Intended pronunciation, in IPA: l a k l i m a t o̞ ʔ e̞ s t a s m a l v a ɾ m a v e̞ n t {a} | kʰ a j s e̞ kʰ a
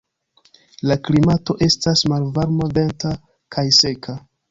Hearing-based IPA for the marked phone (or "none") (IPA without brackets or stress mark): a